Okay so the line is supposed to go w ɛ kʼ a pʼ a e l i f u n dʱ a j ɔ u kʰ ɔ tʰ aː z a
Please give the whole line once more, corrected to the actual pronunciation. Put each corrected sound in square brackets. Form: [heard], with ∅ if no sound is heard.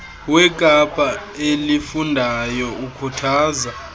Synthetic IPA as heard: w ɛ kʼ a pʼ a e l i f u n dʱ a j ɔ u kʰ [u] tʰ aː z a